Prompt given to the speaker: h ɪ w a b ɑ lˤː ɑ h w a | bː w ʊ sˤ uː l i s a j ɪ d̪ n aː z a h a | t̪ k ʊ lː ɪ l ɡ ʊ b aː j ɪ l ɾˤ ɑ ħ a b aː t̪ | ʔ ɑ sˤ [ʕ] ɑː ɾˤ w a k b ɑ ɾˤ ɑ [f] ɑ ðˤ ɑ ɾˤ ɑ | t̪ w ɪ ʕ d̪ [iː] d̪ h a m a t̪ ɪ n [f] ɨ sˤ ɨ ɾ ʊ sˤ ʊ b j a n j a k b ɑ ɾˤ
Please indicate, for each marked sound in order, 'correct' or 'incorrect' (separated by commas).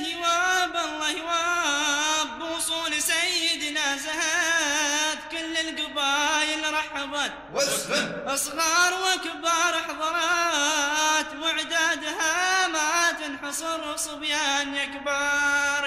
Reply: incorrect, incorrect, incorrect, incorrect